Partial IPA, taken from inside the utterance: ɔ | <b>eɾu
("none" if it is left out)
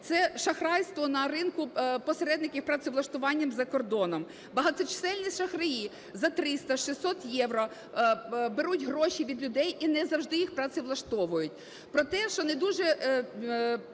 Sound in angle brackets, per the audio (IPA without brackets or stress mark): b